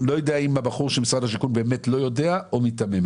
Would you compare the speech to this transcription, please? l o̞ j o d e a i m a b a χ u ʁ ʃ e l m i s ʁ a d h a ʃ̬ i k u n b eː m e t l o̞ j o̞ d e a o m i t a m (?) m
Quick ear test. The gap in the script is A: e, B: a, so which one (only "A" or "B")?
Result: A